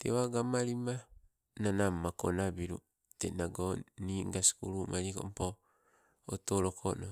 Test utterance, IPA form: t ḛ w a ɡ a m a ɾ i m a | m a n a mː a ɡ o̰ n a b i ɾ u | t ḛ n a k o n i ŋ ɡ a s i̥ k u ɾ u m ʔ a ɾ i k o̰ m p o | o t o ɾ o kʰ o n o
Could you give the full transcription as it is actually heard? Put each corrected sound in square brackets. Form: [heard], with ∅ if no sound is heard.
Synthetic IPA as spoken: t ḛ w a ɡ a m a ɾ i m a | [n] a n a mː a [k] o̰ n a b i ɾ u | t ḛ n a [ɡ] o n i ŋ ɡ a s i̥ k u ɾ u m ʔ a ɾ i k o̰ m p o | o t o ɾ o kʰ o n o

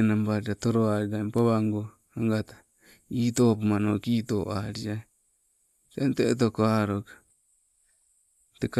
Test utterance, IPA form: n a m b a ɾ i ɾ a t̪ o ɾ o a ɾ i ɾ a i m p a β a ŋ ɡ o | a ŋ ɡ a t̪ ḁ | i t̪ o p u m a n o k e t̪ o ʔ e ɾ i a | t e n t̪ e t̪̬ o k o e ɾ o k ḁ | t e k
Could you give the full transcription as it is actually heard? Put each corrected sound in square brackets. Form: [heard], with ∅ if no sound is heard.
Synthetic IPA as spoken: n a m b a ɾ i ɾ a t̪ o ɾ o a ɾ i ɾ a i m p a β a ŋ ɡ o | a ŋ ɡ a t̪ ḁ | i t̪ o p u m a n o k [i] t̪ o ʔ [a] ɾ i a | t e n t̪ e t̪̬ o k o [a] ɾ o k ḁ | t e k

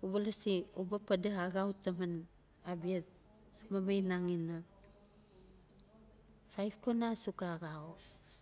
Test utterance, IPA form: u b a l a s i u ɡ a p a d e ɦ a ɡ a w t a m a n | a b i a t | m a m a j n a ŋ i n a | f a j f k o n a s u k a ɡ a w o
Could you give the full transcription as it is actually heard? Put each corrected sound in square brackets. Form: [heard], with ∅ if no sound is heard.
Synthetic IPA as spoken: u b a l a s i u [b] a p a d e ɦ a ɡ a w t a m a n | a b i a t | m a m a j n a ŋ i n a | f a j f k o n a s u k a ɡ a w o

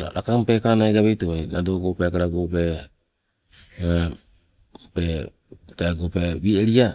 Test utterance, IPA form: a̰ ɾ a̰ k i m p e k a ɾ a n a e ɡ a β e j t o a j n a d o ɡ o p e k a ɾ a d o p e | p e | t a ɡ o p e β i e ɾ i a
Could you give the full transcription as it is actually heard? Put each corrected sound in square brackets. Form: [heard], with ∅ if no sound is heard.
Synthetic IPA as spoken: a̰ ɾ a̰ k [a] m p e k a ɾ a n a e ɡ a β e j t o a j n a d o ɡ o p e k a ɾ a [ɡ] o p e | p e | t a ɡ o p e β i e ɾ i a

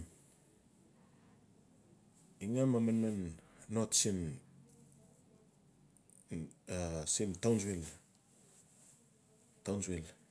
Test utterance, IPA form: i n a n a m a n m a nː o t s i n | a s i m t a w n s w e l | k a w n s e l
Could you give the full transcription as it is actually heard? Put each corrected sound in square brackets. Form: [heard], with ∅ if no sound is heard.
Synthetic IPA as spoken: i [ŋ] a [m] a m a n m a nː o t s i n | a s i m t a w n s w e l | [t] a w n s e l

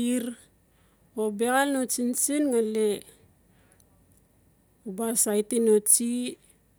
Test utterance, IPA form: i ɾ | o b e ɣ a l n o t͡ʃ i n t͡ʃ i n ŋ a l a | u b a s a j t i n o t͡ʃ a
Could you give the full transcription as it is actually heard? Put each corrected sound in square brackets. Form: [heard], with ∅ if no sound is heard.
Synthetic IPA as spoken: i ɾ | o b e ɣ a l n o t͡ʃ i n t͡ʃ i n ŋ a l [e] | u b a s a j t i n o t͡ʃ [i]

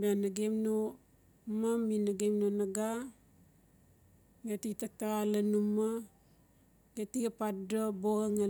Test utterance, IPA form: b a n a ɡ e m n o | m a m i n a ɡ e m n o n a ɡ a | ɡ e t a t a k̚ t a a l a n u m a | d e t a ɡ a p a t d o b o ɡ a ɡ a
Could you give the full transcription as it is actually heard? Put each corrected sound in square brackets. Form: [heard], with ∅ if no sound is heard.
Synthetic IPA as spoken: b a n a ɡ e m n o | m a m i n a ɡ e m n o n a ɡ a | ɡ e t [i] t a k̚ t a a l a n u m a | [ɡ] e t [i] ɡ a p a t d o b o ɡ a [ŋ] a

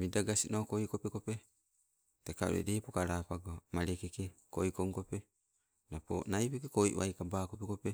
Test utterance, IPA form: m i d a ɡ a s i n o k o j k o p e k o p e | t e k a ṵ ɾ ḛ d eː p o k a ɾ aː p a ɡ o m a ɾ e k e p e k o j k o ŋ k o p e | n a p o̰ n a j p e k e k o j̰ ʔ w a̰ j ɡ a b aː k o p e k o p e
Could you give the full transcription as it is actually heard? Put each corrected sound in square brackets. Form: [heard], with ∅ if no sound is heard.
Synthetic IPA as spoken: m i d a ɡ a s i n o k o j k o p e k o p e | t e k a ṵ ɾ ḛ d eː p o k a ɾ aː p a ɡ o m a ɾ e k e [k] e k o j k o ŋ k o p e | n a p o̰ n a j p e k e k o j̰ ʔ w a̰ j [k] a b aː k o p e k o p e

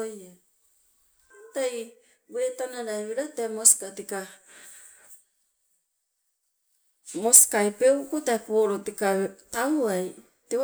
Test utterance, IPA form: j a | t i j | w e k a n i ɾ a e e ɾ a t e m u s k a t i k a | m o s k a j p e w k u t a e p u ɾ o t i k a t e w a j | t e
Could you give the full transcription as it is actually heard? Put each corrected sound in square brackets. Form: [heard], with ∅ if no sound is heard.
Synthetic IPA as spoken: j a | t [a] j | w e [t] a n [a] ɾ a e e ɾ a t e m [o] s k a t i k a | m o s k a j p e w k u t a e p [o] ɾ o t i k a t [a] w a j | t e

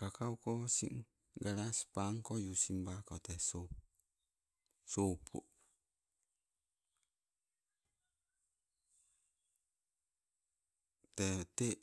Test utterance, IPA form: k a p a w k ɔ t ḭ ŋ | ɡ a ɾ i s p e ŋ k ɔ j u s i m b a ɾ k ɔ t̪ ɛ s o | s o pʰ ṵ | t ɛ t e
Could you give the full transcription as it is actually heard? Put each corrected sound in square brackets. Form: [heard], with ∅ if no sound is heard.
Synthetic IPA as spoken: k a [k] a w k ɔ [s] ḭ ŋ | ɡ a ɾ [a] s p [a] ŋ k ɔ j u s i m b a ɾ k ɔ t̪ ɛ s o | s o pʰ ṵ | t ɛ t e

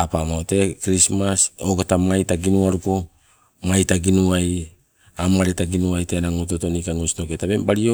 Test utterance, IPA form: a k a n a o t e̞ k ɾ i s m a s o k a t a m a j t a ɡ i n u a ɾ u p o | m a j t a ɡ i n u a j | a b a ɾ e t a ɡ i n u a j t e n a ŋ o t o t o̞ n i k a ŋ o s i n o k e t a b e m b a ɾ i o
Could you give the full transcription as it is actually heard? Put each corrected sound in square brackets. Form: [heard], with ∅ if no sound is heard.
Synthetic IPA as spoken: a [p] a [m] a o t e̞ k ɾ i s m a s o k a t a m a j t a ɡ i n u a ɾ u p o | m a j t a ɡ i n u a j | a [m] a ɾ e t a ɡ i n u a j t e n a ŋ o t o t o̞ n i k a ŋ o s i n o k e t a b e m b a ɾ i o

